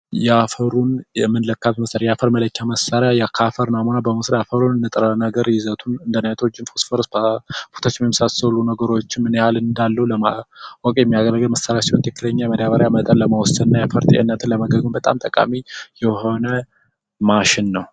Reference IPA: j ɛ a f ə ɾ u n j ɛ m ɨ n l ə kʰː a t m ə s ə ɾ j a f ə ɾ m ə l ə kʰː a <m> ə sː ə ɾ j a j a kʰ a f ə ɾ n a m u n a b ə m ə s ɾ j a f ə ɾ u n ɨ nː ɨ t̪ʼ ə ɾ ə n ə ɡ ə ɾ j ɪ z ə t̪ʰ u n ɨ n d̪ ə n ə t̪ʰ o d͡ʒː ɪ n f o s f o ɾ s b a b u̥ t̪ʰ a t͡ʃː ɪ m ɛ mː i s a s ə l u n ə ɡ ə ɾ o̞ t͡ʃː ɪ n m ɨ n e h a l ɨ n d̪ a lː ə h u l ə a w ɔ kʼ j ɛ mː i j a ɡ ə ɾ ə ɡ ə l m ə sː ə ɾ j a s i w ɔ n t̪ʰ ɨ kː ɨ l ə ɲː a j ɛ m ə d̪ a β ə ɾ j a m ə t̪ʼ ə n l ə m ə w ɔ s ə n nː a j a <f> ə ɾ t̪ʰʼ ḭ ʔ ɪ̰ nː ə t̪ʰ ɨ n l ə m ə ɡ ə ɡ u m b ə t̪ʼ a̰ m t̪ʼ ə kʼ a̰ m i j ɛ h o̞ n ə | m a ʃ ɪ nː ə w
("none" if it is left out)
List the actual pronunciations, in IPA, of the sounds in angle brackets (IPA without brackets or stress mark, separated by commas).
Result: m, f